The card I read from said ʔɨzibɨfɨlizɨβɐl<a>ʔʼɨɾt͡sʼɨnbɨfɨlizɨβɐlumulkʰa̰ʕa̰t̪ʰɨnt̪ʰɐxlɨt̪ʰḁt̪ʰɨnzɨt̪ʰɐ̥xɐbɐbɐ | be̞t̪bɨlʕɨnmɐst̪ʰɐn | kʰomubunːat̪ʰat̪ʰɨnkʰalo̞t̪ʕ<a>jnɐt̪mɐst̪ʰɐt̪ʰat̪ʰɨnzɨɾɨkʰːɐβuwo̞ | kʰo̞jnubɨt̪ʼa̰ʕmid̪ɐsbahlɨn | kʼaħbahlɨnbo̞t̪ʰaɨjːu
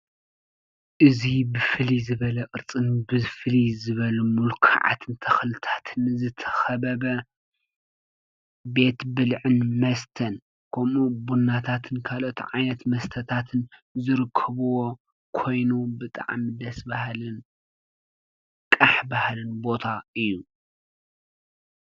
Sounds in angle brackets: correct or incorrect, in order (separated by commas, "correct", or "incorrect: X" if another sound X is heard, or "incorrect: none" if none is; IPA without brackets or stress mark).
incorrect: ɐ, correct